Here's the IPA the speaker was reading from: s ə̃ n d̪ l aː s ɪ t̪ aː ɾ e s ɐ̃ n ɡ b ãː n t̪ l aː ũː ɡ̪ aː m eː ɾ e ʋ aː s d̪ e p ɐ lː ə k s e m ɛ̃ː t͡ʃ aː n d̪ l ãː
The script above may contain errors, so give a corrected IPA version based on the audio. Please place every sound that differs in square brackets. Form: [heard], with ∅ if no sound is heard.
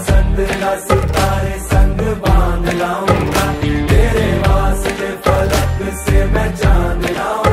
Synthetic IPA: s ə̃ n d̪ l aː s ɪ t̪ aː ɾ e s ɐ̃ [ŋ] ɡ b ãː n [d̪] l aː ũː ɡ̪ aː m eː ɾ e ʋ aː s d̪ e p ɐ [l] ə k s e m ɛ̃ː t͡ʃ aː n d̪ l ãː